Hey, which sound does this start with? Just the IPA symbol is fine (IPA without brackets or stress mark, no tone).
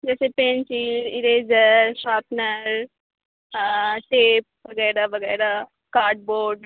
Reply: d͡ʒ